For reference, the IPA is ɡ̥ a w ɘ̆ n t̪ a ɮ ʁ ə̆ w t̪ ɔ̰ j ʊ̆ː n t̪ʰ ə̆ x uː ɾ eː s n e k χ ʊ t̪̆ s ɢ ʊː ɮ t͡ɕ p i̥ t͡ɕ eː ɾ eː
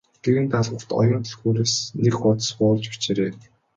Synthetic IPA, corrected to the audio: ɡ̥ e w ɘ̆ n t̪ a ɮ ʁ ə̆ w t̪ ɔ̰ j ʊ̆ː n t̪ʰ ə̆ x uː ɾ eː s n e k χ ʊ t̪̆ s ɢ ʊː ɮ t͡ɕ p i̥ t͡ɕ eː ɾ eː